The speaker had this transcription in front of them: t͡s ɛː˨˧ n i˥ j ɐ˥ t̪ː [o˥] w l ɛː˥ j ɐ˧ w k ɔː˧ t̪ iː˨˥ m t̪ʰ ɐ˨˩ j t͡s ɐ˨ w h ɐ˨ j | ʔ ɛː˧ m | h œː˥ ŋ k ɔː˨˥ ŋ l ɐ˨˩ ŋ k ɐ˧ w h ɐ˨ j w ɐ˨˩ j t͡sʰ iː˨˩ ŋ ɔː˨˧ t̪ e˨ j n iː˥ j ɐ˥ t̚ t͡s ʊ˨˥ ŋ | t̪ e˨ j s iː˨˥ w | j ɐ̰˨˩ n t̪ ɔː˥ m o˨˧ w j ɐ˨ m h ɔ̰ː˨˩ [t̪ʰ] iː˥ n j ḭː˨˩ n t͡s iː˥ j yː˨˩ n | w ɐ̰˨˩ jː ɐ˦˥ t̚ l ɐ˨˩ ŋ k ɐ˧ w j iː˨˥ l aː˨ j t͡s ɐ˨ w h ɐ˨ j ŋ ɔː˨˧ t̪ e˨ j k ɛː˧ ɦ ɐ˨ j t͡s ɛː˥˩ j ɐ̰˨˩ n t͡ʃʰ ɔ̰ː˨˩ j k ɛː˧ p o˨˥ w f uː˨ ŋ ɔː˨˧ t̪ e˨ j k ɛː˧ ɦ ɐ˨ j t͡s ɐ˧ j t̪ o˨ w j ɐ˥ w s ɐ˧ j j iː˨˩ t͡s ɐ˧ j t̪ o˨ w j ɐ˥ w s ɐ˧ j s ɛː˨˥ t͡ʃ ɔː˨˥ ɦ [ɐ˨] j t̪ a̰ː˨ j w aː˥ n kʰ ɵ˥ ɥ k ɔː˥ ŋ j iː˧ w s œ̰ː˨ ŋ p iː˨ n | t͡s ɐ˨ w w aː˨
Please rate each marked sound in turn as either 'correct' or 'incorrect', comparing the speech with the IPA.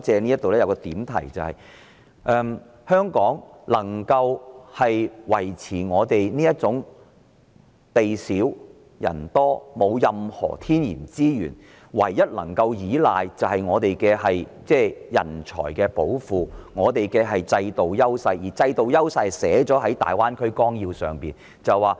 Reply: incorrect, correct, incorrect

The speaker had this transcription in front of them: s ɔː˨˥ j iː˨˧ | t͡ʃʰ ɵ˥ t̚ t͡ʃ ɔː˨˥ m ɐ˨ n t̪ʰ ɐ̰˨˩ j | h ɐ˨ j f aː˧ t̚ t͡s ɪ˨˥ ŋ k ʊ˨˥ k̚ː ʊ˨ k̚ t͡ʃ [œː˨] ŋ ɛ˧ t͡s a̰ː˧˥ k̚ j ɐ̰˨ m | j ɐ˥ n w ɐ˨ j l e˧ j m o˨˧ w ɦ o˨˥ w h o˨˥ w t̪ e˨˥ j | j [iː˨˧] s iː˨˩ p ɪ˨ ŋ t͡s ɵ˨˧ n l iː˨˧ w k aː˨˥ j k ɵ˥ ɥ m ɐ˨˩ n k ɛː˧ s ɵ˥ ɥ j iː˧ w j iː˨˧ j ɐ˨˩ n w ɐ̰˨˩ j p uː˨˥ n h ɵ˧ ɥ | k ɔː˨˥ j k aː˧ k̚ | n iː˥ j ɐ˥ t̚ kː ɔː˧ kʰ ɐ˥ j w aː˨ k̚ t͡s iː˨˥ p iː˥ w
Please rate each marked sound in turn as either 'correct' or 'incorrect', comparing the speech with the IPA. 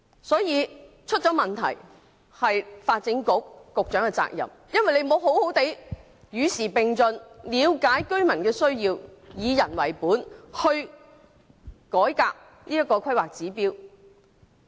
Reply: incorrect, incorrect

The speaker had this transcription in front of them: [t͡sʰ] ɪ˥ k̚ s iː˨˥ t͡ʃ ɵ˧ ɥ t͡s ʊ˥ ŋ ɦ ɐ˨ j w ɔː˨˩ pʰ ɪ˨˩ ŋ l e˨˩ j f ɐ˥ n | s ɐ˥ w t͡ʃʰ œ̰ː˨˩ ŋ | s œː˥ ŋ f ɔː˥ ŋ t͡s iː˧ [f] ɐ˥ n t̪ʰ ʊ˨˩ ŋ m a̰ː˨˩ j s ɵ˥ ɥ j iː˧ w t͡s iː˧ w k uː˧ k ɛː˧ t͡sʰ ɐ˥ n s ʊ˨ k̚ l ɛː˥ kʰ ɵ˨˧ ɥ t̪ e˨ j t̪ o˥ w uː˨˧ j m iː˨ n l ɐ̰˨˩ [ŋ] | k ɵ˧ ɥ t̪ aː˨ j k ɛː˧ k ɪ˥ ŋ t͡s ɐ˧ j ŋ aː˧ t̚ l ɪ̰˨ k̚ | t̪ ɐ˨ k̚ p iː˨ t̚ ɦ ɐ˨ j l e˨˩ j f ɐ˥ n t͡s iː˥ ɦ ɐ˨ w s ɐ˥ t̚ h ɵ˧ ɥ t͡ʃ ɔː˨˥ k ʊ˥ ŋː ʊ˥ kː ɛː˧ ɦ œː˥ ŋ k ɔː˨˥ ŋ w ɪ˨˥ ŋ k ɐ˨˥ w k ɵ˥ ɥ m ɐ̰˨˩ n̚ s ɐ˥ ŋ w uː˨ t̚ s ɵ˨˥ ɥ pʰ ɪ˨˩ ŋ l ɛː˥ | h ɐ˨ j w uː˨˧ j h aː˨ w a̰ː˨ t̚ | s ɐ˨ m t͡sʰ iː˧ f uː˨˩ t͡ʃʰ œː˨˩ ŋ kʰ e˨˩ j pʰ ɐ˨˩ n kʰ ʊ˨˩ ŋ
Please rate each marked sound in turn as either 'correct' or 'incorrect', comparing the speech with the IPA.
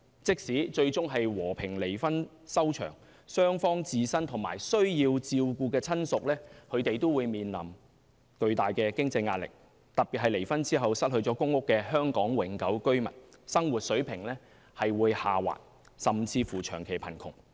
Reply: incorrect, incorrect, incorrect

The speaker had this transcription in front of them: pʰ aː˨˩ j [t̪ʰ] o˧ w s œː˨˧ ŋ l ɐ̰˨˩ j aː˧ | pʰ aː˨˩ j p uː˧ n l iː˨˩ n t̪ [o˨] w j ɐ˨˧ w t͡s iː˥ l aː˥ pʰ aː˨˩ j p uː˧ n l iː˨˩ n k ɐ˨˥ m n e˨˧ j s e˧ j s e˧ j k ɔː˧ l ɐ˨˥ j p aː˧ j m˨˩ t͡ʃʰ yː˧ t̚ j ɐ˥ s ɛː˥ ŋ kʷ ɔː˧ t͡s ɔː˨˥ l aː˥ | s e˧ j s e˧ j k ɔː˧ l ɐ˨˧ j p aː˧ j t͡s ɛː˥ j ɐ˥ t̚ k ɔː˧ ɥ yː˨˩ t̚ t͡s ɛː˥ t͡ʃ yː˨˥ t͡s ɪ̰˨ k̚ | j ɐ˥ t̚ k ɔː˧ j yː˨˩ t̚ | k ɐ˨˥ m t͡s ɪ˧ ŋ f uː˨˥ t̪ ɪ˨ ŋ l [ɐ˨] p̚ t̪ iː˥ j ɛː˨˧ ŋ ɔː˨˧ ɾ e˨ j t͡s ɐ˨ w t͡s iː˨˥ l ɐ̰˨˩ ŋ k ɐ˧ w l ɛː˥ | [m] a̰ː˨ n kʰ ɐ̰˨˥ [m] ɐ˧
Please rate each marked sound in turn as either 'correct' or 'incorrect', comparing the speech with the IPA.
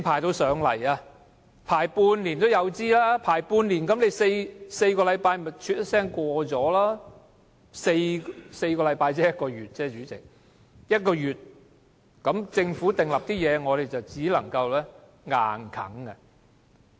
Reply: incorrect, incorrect, correct, incorrect, incorrect

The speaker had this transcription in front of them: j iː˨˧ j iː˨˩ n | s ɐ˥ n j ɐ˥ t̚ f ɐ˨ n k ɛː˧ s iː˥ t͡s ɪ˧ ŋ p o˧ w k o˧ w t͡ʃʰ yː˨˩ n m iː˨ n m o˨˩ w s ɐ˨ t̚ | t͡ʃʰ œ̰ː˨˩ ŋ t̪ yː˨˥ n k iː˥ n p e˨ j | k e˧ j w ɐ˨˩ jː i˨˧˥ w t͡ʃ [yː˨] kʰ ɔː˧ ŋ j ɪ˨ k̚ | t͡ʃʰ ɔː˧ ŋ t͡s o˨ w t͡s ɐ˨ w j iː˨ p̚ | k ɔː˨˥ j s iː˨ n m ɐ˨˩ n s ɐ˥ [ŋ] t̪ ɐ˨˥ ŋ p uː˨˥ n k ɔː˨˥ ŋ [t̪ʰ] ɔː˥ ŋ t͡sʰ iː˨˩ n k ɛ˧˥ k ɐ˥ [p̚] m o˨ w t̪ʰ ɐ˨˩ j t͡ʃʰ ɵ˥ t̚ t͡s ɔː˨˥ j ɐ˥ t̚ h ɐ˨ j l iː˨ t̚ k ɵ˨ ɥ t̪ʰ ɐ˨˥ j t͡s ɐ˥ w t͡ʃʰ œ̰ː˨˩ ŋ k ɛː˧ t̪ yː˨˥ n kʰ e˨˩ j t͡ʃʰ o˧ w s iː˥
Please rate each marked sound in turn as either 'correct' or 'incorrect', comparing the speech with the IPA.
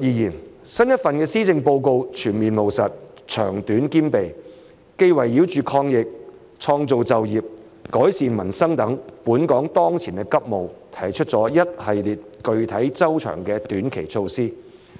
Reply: correct, correct, incorrect, correct

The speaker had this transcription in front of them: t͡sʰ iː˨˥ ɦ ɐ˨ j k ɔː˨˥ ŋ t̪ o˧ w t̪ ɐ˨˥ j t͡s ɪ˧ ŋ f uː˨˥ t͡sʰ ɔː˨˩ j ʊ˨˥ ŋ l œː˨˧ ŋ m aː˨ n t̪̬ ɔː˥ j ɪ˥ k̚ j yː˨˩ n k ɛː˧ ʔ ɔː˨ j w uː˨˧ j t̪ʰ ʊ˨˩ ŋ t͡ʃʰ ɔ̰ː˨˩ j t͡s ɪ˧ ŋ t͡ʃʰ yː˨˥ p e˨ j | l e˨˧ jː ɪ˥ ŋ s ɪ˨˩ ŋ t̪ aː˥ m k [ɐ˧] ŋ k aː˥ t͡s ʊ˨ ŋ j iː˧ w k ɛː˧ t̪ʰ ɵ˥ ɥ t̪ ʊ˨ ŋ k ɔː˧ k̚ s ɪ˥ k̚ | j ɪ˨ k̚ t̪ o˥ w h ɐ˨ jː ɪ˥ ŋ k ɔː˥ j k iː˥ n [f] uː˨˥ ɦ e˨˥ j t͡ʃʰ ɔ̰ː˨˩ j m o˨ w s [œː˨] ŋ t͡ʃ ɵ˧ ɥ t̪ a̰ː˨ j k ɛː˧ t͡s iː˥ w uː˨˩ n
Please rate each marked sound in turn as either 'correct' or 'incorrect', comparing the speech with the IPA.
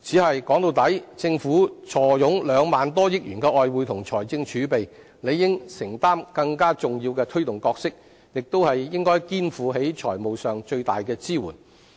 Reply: correct, correct, correct

